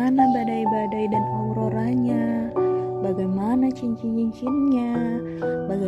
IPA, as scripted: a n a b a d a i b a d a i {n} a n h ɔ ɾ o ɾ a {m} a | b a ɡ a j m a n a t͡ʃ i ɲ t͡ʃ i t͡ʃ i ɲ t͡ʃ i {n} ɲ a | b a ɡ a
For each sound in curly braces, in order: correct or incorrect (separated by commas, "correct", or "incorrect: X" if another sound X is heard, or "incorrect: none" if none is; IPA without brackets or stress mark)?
incorrect: d, incorrect: ɲ, correct